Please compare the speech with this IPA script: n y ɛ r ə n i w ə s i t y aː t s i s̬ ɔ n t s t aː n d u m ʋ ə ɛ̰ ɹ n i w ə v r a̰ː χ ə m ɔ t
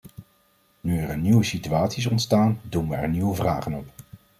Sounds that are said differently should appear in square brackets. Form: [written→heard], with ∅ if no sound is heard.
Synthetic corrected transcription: n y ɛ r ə n i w ə s i t y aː t s i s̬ ɔ n t s t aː n d u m ʋ ə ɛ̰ ɹ n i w ə v r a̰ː χ ə [m→n] ɔ [t→p]